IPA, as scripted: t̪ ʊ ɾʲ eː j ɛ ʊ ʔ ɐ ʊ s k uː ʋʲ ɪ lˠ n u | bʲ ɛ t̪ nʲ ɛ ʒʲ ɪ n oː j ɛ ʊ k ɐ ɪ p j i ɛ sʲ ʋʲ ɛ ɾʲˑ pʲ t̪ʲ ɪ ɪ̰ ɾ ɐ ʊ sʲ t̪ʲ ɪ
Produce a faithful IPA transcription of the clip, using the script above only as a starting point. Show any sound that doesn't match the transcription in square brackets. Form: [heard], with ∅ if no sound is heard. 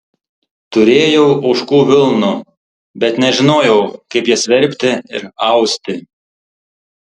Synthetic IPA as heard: t̪ ʊ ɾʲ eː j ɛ ʊ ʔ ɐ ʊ [ʃ] k uː ʋʲ ɪ lˠ n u | bʲ ɛ t̪ nʲ ɛ ʒʲ ɪ n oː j ɛ ʊ k ɐ ɪ p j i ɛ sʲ ʋʲ ɛ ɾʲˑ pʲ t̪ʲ ɪ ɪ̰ ɾ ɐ ʊ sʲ t̪ʲ ɪ